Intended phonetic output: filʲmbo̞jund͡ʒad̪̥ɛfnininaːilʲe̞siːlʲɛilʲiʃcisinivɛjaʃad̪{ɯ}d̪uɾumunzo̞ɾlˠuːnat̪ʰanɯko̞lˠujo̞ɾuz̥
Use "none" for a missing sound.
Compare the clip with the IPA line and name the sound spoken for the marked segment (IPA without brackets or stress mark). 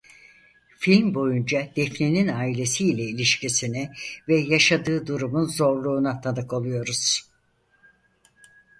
ɯː